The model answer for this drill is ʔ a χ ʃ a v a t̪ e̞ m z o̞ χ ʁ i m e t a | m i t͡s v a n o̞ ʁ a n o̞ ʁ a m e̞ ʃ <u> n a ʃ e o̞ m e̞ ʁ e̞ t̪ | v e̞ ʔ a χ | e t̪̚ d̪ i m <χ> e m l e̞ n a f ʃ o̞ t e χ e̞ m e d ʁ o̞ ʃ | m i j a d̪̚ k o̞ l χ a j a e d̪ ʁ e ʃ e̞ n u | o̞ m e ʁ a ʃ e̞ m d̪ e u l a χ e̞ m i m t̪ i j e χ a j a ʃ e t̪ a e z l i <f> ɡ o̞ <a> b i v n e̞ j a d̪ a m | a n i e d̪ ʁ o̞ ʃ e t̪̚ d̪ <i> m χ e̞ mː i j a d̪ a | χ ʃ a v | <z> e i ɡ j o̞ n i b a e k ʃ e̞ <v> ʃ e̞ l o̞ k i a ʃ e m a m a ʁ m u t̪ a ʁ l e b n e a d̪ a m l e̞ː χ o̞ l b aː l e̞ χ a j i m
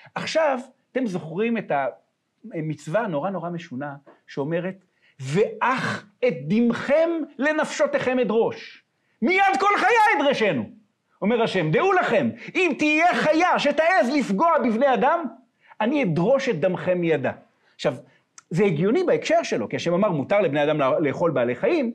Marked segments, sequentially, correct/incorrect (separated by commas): correct, correct, correct, correct, incorrect, correct, incorrect